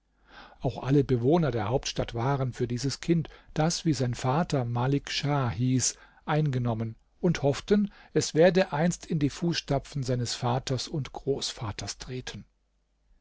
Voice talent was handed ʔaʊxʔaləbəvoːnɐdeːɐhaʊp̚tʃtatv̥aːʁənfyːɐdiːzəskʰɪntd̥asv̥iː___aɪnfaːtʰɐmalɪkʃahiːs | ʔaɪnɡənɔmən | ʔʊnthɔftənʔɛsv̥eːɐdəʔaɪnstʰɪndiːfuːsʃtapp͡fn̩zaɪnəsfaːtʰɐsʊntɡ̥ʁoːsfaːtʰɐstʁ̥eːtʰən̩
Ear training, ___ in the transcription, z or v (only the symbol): z